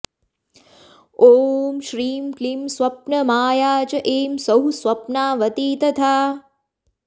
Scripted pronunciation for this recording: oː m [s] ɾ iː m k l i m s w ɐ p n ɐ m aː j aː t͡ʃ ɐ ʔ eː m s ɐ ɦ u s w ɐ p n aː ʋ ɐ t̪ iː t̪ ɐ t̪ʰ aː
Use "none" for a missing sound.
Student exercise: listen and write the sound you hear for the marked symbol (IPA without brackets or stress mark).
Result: ʃ